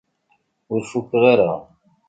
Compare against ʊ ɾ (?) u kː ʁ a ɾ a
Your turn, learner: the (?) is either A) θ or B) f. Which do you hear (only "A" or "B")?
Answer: B